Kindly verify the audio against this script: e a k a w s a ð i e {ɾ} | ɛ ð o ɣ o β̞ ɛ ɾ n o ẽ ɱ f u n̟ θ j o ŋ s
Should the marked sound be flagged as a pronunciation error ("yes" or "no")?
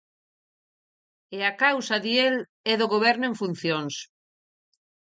yes